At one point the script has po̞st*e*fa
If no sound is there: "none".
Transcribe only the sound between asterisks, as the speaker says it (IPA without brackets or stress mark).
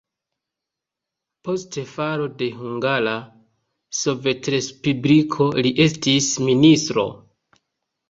e